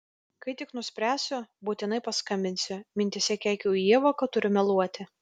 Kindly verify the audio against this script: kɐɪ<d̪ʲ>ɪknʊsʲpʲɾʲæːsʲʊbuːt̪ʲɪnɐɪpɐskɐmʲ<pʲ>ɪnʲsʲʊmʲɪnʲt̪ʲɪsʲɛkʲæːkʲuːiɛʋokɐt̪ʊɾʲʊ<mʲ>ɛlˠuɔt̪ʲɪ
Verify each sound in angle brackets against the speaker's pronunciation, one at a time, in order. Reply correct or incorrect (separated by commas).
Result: incorrect, incorrect, correct